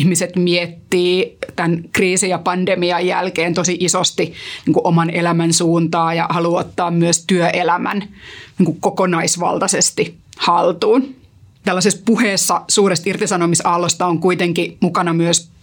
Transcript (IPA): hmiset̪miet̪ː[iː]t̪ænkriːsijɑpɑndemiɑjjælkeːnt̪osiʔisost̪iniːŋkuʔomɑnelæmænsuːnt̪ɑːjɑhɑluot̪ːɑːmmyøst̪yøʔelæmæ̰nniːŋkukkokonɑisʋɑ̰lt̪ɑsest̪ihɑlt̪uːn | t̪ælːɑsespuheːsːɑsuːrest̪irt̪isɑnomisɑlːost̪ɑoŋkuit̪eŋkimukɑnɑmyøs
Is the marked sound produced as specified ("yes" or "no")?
yes